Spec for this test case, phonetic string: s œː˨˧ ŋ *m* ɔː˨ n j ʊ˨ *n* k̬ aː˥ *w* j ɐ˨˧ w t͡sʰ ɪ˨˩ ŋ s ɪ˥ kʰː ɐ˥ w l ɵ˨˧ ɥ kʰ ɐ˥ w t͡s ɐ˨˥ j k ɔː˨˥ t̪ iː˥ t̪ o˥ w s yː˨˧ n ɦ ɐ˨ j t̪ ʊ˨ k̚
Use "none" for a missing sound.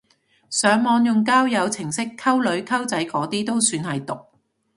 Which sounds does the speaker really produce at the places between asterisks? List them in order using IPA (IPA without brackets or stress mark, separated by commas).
m, ŋ, w